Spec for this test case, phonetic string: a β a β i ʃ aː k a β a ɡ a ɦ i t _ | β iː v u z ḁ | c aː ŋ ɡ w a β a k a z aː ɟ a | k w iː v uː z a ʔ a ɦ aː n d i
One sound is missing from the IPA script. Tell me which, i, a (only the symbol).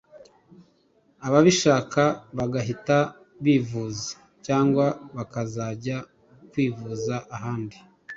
a